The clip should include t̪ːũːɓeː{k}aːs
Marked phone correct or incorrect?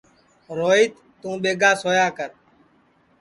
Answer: incorrect